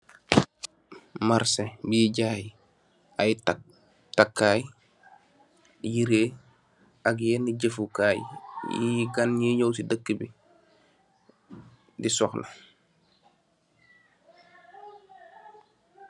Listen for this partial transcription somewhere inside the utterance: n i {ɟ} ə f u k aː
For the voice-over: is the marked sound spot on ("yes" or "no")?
yes